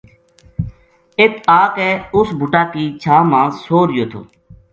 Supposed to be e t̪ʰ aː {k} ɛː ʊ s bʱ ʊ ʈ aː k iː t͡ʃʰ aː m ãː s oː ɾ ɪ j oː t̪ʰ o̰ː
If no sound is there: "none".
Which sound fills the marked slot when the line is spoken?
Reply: k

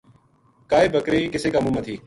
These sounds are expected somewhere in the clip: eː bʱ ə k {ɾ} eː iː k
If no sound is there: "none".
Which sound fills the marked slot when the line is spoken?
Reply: ɾ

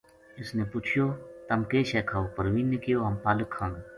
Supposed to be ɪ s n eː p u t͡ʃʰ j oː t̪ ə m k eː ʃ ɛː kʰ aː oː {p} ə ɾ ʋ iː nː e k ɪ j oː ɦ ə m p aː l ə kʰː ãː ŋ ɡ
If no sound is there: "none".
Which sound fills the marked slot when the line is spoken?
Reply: p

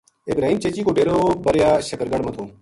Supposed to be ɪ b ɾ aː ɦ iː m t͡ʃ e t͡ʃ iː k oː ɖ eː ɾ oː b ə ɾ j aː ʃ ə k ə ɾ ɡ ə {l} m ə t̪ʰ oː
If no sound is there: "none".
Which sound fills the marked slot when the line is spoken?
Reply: ɽ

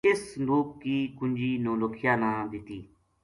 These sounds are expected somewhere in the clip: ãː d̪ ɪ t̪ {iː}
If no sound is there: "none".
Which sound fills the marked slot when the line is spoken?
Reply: iː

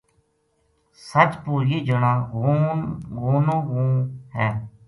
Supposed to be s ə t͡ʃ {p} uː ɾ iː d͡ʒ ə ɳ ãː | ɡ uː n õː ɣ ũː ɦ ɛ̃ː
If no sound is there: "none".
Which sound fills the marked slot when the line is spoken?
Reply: p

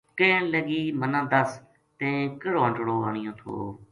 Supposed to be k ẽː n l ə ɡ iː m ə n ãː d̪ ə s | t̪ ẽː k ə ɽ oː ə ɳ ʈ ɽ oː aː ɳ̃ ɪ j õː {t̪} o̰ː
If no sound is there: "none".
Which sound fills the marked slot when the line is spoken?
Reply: t̪ʰ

